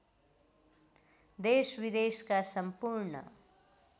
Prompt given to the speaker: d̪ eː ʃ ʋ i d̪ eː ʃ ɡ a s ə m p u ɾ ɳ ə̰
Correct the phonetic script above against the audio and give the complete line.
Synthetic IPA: d̪ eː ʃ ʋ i d̪ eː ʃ k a s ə m p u ɾ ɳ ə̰